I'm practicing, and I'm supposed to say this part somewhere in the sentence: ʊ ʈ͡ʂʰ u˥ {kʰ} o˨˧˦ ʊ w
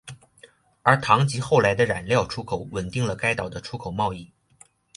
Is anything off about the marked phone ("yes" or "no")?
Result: no